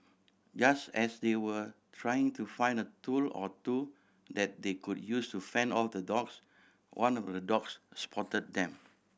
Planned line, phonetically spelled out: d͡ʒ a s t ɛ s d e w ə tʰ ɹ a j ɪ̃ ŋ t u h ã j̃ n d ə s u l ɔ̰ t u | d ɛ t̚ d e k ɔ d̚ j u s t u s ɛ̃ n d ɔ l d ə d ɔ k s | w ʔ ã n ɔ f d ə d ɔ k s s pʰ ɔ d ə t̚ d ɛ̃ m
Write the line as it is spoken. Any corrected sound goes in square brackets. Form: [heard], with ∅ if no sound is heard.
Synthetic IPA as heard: d͡ʒ a s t ɛ s d e w ə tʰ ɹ a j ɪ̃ ŋ t u [f] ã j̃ n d ə [t] u l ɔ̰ t u | d ɛ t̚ d e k [u] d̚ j u s t u [f] ɛ̃ n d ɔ l d ə d ɔ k s | w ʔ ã n ɔ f d ə d ɔ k s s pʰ ɔ [t] ə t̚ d ɛ̃ m